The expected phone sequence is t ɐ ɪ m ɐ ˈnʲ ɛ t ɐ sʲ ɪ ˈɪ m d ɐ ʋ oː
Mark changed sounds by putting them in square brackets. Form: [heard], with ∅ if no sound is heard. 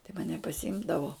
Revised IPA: t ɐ ɪ m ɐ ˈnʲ ɛ [p] ɐ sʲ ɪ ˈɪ m d ɐ ʋ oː